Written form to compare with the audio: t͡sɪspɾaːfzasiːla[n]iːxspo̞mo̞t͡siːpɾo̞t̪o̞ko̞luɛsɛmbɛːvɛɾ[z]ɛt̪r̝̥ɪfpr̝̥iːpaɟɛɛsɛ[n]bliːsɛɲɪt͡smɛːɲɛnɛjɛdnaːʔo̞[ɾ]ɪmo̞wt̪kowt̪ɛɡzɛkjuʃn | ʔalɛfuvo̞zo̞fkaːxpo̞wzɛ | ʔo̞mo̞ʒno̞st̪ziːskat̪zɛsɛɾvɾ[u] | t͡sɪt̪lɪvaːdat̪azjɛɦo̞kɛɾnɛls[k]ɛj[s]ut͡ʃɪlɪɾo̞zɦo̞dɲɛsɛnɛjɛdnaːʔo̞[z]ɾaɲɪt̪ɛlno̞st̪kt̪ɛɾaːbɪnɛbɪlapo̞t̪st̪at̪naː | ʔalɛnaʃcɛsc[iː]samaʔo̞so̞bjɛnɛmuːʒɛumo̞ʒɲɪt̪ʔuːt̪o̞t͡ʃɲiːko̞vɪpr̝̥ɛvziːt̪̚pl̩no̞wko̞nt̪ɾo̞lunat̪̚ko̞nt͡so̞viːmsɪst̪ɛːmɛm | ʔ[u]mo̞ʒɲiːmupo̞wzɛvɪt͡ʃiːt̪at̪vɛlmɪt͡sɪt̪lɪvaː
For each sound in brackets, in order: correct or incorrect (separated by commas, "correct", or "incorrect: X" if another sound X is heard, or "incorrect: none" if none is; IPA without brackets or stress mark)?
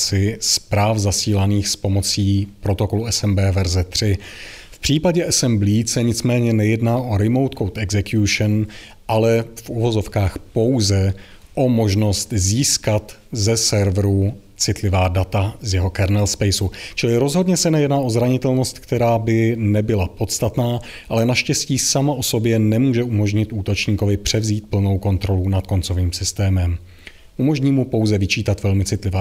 correct, correct, incorrect: m, correct, correct, incorrect: p, correct, correct, correct, correct